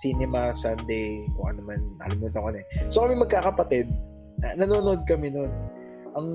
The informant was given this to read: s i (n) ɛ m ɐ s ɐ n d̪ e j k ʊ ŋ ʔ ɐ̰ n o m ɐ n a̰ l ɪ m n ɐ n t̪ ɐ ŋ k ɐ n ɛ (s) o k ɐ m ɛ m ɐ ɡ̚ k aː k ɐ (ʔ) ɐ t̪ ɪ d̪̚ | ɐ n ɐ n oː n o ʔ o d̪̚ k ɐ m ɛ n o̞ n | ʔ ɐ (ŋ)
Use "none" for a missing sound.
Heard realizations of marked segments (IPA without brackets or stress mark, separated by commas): n, s, p, ŋ